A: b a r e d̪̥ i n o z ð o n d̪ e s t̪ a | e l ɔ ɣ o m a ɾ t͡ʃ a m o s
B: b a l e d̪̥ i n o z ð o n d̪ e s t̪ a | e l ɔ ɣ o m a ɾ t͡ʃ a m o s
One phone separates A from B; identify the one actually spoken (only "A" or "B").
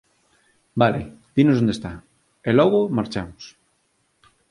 B